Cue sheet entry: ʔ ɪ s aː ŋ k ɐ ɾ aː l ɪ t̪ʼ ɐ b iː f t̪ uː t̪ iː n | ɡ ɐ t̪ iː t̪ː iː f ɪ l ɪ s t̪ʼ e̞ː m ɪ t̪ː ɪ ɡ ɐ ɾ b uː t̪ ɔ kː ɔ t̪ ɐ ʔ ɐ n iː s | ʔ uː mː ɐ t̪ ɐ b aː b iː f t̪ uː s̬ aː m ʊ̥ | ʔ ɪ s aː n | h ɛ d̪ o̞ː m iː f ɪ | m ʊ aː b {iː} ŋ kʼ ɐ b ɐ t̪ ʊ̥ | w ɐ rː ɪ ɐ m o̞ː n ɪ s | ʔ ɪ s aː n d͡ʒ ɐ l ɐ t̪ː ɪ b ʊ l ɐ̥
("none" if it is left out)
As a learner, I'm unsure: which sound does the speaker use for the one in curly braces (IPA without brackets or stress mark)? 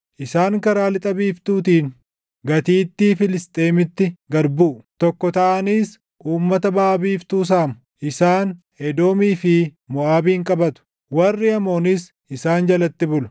iː